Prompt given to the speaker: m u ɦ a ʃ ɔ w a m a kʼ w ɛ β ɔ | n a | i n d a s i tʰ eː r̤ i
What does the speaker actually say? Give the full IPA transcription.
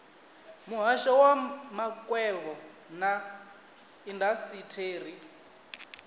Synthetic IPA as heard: m u ɦ a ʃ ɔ w a m a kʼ w ɛ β ɔ | n a | i n d a s i tʰ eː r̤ i